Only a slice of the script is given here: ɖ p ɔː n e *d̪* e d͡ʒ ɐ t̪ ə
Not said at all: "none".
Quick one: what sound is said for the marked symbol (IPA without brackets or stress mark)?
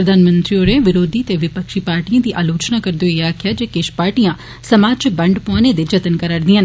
d̪